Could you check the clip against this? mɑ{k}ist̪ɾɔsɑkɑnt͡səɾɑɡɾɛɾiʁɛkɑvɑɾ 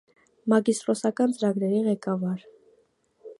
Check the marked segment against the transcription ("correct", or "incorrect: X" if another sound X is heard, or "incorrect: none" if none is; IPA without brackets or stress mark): incorrect: ɡ